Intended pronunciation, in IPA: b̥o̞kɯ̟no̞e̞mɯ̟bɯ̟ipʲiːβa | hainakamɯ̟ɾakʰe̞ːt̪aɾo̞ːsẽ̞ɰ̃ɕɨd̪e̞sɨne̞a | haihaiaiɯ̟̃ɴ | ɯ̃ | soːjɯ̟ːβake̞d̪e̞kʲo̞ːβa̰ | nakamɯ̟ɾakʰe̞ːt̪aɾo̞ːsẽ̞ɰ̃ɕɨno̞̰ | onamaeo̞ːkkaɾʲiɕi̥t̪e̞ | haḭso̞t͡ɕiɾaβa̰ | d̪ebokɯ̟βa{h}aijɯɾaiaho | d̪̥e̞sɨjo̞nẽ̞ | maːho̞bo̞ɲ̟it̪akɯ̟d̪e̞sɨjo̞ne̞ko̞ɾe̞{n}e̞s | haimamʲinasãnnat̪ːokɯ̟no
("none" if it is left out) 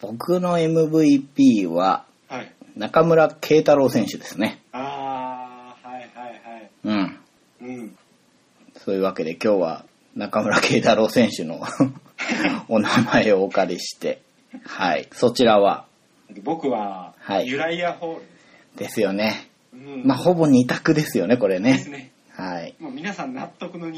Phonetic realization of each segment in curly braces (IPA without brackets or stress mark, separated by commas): h, n